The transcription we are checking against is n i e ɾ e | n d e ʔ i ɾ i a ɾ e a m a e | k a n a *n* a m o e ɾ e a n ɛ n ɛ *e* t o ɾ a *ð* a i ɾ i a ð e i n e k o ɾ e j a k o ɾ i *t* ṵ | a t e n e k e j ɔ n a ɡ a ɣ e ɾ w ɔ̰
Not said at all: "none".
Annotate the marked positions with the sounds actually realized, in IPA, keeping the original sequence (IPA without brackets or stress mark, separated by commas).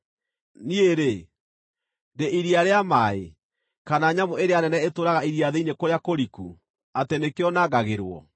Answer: ɲ, e, ɣ, k